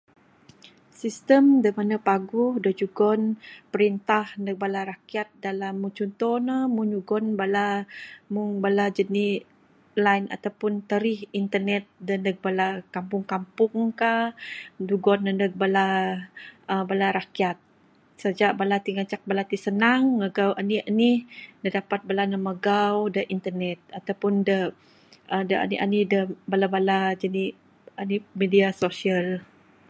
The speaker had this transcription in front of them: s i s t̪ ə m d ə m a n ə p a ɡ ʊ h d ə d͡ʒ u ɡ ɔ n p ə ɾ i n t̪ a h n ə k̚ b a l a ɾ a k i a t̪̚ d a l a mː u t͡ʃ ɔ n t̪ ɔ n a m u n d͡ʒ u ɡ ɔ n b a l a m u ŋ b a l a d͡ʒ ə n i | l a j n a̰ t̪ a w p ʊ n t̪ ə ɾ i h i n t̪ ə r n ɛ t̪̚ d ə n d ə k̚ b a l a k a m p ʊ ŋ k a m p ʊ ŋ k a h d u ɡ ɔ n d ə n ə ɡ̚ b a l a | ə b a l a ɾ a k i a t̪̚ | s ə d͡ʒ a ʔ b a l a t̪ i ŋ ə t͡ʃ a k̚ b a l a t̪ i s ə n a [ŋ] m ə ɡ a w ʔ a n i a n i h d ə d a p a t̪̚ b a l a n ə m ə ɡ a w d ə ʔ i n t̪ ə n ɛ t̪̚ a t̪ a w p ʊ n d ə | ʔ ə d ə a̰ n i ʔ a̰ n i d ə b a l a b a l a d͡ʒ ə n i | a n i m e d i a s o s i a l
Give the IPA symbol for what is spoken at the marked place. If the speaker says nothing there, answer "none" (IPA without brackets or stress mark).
ŋ